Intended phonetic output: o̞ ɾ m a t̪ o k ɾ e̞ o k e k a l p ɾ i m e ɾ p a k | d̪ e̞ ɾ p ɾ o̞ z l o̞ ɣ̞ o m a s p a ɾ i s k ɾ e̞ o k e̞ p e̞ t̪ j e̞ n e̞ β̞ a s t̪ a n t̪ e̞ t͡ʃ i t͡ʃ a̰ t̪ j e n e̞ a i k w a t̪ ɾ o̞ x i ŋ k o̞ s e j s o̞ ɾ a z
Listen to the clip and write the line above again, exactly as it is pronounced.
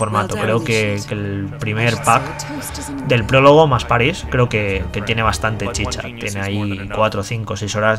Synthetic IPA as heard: o̞ ɾ m a t̪ o k ɾ e̞ o k e k e l p ɾ i m e ɾ p a k | d̪ e̞ l p ɾ o̞ l o̞ ɣ̞ o m a s p a ɾ i s k ɾ e̞ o k e̞ k e̞ t̪ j e̞ n e̞ β̞ a s t̪ a n t̪ e̞ t͡ʃ i t͡ʃ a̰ t̪ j e n e̞ a i k w a t̪ ɾ o̞ θ i ŋ k o̞ s e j s o̞ ɾ a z